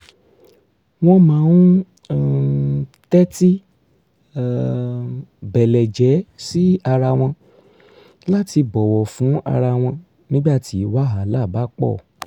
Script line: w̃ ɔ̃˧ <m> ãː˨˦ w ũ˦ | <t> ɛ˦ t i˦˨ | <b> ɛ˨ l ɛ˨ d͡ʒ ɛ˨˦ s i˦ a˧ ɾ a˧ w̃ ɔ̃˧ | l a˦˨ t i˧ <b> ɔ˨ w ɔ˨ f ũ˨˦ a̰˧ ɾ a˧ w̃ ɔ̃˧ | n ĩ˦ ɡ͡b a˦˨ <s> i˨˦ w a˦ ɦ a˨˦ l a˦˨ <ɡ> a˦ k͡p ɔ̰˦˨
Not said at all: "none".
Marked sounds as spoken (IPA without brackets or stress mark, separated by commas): m, t, b, b, t, b